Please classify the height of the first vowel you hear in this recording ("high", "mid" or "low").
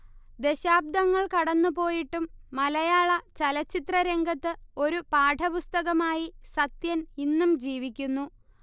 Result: mid